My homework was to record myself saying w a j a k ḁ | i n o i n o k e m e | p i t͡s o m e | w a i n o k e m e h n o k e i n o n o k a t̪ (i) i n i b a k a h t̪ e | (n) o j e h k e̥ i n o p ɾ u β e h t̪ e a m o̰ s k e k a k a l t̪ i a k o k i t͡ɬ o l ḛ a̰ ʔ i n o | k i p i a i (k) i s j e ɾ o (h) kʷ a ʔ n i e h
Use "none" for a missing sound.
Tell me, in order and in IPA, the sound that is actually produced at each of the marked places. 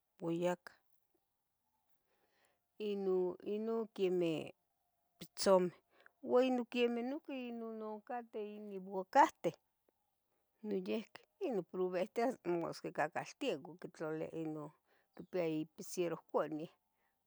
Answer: e, n, p, h

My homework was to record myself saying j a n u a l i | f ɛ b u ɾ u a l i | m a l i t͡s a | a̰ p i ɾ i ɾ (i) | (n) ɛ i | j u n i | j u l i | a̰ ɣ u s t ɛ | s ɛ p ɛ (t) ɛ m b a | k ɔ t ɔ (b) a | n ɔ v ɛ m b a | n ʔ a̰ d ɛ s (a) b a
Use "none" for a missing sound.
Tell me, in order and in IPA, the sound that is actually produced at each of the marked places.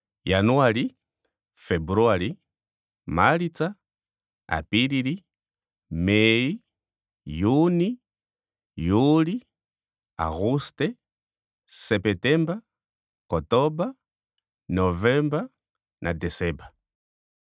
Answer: i, m, t, b, ɛ

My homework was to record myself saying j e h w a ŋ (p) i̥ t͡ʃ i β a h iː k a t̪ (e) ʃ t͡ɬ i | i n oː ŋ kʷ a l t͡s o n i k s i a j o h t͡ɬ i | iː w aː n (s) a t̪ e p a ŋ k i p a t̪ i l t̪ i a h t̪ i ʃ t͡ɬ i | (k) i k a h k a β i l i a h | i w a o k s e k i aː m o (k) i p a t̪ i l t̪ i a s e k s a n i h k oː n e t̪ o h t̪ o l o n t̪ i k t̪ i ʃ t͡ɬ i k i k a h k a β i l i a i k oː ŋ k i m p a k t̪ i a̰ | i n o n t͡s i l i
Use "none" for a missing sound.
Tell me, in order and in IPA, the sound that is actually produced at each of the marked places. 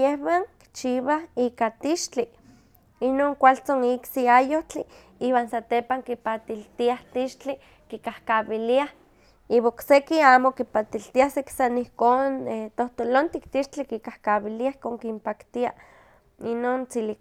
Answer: k, i, s, k, k

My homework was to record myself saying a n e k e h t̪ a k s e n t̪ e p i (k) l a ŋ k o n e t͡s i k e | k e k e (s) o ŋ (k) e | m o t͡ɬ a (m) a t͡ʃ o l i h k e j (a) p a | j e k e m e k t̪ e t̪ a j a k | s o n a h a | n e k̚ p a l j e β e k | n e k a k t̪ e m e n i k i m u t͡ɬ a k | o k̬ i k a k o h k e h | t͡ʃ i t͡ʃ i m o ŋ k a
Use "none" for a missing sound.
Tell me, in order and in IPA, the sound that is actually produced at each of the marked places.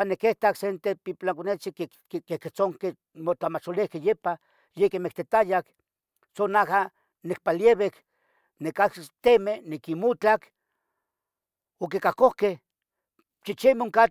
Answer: p, t͡s, k, m, e

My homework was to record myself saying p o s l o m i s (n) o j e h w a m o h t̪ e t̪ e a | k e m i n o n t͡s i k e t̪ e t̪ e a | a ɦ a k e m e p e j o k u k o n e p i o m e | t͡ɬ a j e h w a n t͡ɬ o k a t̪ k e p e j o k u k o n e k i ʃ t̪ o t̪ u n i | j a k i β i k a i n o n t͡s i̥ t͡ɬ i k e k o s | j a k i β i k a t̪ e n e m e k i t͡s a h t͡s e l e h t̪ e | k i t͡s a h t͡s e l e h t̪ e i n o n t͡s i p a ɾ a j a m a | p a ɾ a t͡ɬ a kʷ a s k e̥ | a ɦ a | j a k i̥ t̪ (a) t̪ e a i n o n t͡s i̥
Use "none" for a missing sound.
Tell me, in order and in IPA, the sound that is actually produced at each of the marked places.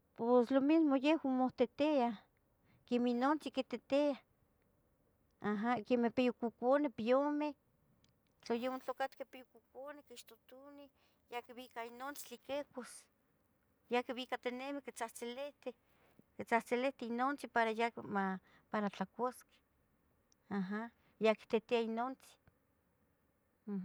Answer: m, e

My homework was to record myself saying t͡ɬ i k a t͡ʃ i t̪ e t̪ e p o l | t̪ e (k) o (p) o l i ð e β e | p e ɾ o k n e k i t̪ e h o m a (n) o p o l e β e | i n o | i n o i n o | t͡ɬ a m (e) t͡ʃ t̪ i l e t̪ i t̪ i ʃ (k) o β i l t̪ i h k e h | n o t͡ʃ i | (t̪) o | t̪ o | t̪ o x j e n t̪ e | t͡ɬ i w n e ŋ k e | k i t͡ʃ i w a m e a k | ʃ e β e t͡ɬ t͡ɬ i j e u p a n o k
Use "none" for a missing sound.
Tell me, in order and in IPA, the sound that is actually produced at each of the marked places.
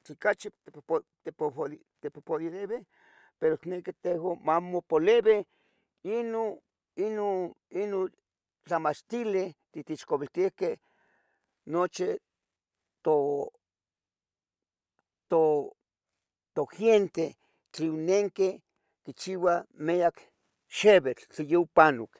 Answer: p, p, m, a, k, t̪

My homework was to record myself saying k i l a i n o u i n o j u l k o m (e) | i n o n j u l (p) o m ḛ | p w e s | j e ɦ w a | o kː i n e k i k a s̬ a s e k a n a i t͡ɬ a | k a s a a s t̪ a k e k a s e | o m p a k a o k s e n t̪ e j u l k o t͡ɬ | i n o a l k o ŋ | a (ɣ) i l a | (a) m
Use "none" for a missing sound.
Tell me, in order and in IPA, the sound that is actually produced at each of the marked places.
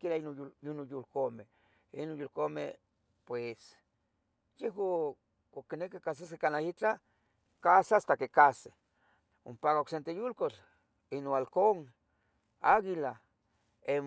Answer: e, k, ɣ, e

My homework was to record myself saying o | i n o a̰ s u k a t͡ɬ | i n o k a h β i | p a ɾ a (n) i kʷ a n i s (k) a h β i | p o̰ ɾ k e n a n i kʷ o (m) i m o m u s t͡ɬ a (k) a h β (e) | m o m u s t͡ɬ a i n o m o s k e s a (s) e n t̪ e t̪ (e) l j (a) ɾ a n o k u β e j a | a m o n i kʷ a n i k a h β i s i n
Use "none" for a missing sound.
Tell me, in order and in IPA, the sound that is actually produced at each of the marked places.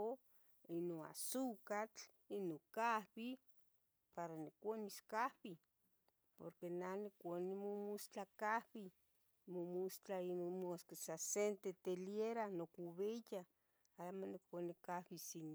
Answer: n, k, n, k, i, s, e, e

